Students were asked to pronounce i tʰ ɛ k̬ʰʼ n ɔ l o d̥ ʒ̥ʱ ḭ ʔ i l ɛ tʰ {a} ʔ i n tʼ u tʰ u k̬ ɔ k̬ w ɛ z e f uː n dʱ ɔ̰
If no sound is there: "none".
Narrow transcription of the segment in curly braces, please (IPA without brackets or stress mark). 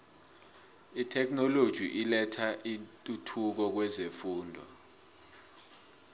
a